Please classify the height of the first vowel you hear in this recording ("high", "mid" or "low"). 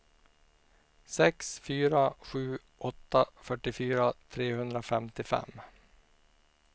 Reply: mid